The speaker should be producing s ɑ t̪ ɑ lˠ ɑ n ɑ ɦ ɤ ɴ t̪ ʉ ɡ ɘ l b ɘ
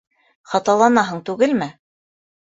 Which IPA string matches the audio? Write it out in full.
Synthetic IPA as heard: χ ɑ t̪ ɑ lˠ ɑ n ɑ ɦ ɤ ɴ t̪ ʉ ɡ ɘ l m ɘ